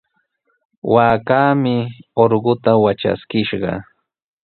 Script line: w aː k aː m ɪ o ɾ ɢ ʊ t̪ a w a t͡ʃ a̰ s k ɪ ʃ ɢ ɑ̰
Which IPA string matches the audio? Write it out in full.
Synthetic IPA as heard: w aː k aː m ɪ o ɾ ɢ ʊ t̪ a w a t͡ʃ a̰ s k ɪ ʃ ɢ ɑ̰

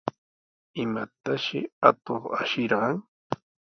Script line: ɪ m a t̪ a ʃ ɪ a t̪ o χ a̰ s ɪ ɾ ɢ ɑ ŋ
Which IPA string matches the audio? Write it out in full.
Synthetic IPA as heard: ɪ m a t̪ a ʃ ɪ a t̪ o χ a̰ ʃ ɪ ɾ ɢ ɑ ŋ

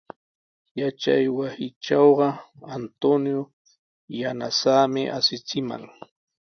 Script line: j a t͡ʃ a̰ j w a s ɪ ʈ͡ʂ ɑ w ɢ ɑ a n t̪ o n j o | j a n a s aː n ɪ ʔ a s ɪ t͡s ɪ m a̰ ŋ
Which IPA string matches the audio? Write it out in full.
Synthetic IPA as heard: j a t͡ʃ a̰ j w a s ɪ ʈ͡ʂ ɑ w ɢ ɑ a n t̪ o n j o | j a n a s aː m ɪ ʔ a s ɪ t͡s ɪ m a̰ ŋ

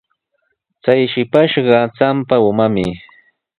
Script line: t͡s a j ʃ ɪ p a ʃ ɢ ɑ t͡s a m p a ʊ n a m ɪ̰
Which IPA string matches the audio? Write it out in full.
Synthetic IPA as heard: t͡s a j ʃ ɪ p a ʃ ɢ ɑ t͡s a m p a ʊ m a m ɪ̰

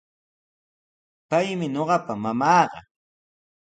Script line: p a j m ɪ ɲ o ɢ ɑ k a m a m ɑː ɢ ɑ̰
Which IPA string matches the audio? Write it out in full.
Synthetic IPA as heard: p a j m ɪ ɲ o ɢ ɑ p a m a m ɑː ɢ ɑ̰

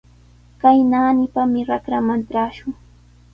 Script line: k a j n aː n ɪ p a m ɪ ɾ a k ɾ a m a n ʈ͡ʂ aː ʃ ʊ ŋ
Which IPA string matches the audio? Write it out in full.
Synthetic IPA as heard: k a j n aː n ɪ p a m ɪ ɾ a k ɾ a m a n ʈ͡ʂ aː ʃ ʊ ŋ

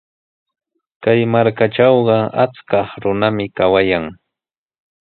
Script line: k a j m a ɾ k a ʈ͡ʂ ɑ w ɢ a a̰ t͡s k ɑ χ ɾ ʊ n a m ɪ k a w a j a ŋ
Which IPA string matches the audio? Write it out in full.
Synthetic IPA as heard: k a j m a ɾ k a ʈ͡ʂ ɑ w ɢ ɑ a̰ t͡s k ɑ χ ɾ ʊ n a m ɪ k a w a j a ŋ

